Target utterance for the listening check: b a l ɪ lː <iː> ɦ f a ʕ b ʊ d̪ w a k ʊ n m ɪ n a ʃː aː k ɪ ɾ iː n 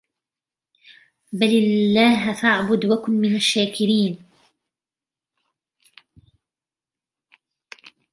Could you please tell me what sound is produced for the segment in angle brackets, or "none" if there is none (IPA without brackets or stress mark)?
aː